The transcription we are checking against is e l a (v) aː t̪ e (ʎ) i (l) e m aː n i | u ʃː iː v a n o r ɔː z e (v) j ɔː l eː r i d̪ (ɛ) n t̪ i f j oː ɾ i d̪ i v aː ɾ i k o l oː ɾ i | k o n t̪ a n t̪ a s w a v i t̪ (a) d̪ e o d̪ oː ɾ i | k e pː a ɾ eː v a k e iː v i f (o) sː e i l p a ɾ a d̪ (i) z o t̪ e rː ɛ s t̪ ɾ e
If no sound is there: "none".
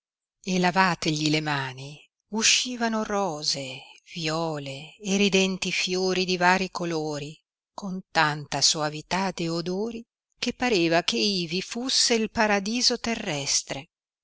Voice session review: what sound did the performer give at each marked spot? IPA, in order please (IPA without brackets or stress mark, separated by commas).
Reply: v, ʎ, l, v, ɛ, a, u, iː